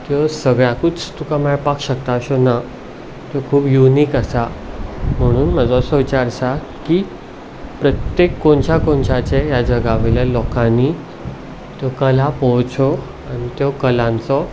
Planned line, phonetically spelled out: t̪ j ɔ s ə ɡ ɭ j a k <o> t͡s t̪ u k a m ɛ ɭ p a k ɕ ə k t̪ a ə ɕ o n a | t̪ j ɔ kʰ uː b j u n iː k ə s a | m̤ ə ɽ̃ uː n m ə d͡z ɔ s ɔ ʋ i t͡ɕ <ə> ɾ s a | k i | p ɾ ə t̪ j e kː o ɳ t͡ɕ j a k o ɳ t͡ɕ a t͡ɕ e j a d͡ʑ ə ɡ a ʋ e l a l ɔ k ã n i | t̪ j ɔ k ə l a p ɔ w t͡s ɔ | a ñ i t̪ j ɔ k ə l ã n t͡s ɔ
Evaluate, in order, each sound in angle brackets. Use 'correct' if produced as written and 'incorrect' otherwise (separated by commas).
incorrect, incorrect